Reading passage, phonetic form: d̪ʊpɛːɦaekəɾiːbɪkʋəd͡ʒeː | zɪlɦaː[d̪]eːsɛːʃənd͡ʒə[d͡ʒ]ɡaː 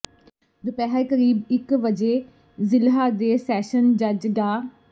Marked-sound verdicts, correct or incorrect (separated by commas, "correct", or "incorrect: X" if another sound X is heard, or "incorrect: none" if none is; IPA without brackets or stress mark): correct, correct